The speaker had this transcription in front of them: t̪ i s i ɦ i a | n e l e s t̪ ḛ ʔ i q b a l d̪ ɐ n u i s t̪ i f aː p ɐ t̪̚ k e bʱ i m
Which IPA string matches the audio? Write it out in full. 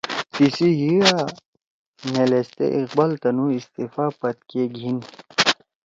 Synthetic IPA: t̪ i s i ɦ i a | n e l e s t̪ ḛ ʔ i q b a l t̪ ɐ n u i s t̪ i f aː p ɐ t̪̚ k e ɡʱ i n